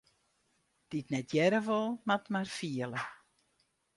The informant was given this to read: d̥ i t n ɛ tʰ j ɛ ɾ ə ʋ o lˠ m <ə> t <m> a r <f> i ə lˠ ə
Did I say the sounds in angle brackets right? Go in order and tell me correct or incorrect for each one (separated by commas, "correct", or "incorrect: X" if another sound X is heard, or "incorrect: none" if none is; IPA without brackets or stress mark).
incorrect: a, correct, correct